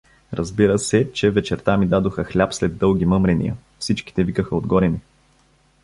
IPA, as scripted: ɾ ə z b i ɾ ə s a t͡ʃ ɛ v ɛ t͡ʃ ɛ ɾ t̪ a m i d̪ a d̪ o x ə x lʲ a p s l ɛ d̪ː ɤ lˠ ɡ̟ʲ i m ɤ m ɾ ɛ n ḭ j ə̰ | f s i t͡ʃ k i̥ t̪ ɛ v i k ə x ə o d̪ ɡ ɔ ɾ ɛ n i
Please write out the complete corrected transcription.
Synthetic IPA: ɾ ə z b i ɾ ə s ɛ t͡ʃ ɛ v ɛ t͡ʃ ɛ ɾ t̪ a m i d̪ a d̪ o x ə x lʲ a p s l ɛ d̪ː ɤ lˠ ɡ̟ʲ i m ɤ m ɾ ɛ n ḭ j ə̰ | f s i t͡ʃ k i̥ t̪ ɛ v i k ə x ə o d̪ ɡ ɔ ɾ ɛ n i